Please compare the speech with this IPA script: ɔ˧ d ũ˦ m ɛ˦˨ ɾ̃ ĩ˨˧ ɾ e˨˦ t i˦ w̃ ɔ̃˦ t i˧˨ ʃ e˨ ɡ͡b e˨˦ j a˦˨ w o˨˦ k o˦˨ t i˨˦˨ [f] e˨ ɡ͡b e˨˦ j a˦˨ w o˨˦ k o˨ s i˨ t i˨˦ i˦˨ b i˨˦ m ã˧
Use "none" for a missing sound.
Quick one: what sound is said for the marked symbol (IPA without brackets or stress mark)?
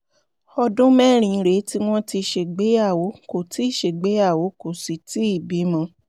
ʃ